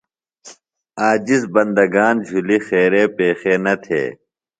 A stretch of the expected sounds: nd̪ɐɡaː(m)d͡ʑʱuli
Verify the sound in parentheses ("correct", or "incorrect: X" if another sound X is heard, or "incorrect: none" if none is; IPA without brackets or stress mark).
incorrect: n